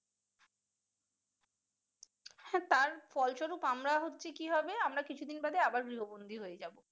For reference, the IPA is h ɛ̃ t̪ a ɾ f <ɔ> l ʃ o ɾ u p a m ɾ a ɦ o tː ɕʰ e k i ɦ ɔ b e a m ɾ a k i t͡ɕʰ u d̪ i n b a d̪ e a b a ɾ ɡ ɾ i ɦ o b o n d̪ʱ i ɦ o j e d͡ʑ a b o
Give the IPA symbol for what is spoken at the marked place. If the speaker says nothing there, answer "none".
ɔ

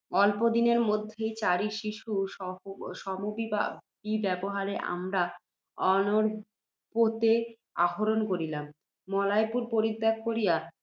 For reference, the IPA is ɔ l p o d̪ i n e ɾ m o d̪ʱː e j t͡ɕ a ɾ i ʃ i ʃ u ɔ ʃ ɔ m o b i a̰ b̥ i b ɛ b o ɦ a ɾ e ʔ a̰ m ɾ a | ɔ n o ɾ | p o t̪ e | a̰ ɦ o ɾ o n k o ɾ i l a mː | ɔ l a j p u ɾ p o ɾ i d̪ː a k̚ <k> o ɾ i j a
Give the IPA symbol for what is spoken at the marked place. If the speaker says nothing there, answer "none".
k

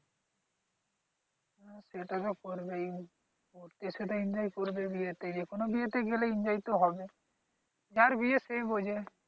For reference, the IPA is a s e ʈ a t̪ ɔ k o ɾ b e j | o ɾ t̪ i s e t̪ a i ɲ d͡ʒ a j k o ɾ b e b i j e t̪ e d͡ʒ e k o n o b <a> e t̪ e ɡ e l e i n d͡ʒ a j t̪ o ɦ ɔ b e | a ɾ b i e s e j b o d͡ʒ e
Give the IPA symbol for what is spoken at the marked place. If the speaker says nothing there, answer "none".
i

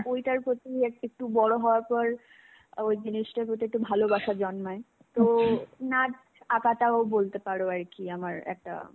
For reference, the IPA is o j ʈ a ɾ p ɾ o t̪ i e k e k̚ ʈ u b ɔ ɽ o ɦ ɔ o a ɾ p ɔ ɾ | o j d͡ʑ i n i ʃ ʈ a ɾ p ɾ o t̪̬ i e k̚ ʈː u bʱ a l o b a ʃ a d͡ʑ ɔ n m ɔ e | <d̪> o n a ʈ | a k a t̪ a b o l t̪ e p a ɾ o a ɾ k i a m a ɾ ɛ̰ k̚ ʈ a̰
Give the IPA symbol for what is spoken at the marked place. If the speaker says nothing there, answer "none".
t̪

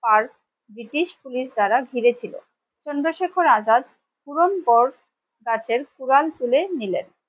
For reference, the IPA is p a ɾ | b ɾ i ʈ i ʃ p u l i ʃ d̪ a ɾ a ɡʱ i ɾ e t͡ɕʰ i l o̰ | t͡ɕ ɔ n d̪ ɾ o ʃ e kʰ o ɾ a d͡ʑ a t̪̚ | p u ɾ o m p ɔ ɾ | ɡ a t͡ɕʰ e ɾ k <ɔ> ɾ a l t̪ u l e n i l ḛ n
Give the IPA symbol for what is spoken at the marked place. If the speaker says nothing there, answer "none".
u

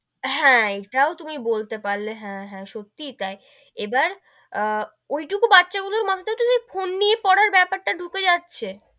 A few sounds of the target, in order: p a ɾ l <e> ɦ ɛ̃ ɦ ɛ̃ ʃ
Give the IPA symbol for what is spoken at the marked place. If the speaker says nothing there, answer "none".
e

